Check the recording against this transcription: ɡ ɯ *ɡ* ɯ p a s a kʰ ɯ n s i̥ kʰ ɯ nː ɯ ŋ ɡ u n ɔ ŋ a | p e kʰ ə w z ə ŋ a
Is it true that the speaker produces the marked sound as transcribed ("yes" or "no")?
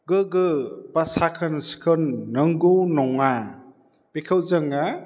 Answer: yes